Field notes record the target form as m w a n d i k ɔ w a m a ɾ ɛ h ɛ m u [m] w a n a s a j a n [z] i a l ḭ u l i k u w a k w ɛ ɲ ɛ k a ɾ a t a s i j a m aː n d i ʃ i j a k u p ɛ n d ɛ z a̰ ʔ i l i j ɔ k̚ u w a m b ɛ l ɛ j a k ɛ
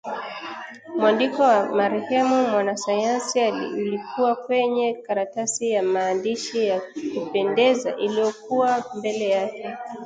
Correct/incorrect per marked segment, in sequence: correct, incorrect

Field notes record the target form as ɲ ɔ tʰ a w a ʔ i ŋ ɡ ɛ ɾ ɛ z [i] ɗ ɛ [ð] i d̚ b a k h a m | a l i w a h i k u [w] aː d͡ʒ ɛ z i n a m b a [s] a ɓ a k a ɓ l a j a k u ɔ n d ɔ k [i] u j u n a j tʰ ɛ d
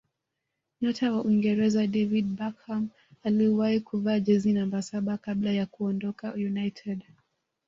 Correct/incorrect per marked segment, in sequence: incorrect, incorrect, incorrect, correct, incorrect

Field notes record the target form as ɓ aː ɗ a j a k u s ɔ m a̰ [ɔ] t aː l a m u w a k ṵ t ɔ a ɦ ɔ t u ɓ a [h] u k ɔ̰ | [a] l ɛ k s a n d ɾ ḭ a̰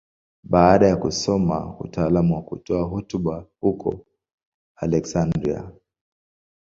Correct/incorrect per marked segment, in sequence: incorrect, correct, correct

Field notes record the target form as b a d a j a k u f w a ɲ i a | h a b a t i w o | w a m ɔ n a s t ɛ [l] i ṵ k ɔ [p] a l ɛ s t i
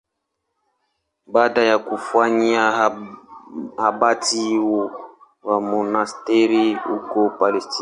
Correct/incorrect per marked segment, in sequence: incorrect, correct

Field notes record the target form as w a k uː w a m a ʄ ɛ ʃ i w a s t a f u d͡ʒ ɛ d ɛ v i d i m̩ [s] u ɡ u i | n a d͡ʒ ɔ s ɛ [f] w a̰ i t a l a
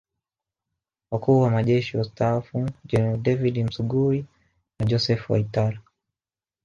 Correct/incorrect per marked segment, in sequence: correct, correct

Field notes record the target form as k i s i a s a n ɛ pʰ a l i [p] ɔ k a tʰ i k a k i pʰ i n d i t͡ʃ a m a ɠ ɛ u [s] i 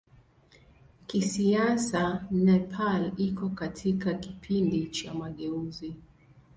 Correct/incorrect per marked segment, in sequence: incorrect, incorrect

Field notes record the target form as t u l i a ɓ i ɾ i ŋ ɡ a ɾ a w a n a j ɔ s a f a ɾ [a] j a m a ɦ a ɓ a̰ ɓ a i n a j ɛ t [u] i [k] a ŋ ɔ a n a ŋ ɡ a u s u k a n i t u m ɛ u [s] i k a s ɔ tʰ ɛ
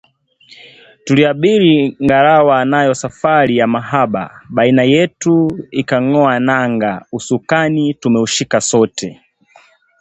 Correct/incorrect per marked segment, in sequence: incorrect, correct, correct, incorrect

